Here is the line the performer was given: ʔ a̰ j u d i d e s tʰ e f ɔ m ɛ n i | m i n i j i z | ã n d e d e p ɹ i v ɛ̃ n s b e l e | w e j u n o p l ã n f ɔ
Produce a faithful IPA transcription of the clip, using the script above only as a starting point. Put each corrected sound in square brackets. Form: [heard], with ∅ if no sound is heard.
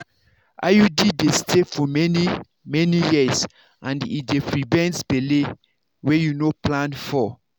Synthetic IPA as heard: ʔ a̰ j u d i d e s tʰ e f ɔ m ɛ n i | m [ɛ] n i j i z | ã n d [i] d e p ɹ i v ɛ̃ n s b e l e | w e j u n o p l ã n f ɔ